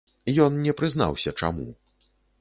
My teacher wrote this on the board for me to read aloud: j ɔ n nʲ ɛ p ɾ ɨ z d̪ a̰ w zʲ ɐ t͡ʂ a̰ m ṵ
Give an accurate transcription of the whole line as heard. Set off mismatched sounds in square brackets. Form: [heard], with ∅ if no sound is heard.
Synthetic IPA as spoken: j ɔ n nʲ ɛ p ɾ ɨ z [n̪] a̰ w [sʲ] ɐ t͡ʂ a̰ m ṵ